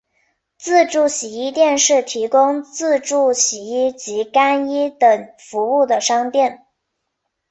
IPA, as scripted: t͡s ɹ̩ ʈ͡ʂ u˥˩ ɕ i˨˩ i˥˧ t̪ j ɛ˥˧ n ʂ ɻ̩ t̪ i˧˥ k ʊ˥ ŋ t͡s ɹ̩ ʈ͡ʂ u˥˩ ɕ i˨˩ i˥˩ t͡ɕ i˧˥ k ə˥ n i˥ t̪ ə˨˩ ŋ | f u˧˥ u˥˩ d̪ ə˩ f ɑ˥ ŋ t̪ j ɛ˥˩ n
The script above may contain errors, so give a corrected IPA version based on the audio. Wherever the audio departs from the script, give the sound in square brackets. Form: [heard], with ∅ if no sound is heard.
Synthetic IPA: t͡s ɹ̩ ʈ͡ʂ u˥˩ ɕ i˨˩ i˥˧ t̪ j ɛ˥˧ n ʂ ɻ̩ [t̪ʰ] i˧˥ k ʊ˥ ŋ t͡s ɹ̩ ʈ͡ʂ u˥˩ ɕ i˨˩ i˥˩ t͡ɕ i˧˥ k [a˥] n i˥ t̪ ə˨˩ ŋ | f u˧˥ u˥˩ d̪ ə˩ [ʂ] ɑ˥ ŋ t̪ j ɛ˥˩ n